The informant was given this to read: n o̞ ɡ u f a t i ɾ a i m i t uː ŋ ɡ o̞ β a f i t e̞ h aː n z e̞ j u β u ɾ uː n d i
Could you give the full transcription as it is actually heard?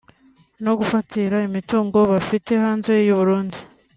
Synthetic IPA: n o̞ ɡ u f a t i ɾ a i m i t uː ŋ ɡ o̞ β a f i t e̞ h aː n z e̞ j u β u ɾ uː n d i

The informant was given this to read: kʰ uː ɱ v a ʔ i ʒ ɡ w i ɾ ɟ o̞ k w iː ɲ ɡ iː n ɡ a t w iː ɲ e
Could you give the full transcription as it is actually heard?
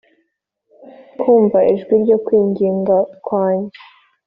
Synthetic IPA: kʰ uː ɱ v a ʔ i ʒ ɡ w i ɾ ɟ o̞ k w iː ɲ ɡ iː ŋ ɡ a k w aː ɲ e

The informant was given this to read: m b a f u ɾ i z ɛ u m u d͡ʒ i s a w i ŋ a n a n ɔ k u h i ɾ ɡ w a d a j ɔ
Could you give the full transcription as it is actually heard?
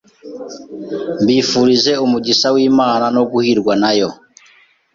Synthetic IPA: m b i f u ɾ i z ɛ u m u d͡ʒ i s a w i m a n a n ɔ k u h i ɾ ɡ w a n a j ɔ

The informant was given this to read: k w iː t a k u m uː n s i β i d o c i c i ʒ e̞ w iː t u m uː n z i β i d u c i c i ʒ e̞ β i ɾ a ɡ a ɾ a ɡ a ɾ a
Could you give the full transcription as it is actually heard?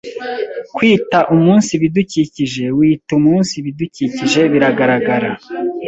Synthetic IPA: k w iː t a ʔ u m uː n s i β i d u c i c i ʒ e̞ w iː t u m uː n s i β i d u c i c i ʒ e̞ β i ɾ a ɡ a ɾ a ɡ a ɾ a

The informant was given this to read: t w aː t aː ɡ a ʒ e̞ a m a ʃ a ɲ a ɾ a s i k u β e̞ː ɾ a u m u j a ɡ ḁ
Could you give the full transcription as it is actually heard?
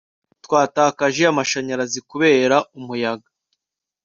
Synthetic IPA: t w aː t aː k a ʒ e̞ a m a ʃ a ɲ a ɾ a z i k u β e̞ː ɾ a u m u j a ɡ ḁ

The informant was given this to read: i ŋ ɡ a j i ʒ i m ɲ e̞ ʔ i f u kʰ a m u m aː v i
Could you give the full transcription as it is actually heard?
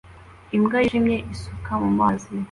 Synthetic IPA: i m ɡ a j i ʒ i m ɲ e̞ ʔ i s u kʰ a m u m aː z i

